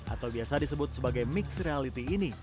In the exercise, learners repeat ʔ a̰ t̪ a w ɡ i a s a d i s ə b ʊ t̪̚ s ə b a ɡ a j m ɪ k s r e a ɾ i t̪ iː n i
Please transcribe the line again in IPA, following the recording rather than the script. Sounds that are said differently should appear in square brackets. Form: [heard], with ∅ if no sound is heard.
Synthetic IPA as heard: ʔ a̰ t̪ a w [b] i a s a d i s ə b ʊ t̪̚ s ə b a ɡ a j m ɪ k s r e a [l] i t̪ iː n i